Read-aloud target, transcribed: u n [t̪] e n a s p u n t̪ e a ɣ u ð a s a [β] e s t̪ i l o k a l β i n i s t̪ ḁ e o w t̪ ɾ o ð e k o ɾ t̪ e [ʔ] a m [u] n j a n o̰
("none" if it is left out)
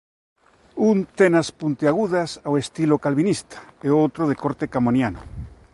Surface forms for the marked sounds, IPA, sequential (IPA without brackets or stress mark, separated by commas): t̪, w, k, o